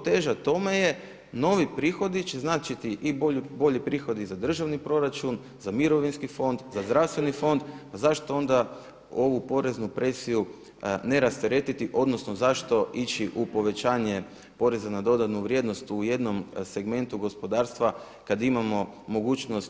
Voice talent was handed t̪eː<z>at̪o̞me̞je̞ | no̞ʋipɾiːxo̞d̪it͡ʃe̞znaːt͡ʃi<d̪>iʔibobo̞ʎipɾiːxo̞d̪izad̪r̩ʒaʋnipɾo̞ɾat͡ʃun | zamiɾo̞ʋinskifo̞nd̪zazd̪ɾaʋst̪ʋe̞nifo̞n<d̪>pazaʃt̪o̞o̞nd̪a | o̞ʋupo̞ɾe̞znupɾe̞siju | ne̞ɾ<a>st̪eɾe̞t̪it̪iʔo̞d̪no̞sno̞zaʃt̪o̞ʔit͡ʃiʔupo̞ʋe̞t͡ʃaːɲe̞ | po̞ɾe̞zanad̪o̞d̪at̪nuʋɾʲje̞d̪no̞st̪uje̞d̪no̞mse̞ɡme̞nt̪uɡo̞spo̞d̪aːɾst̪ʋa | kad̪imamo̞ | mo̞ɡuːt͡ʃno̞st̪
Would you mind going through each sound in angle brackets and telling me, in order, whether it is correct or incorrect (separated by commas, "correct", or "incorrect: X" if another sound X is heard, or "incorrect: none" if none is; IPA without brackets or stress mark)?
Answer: incorrect: ʒ, incorrect: t̪, correct, correct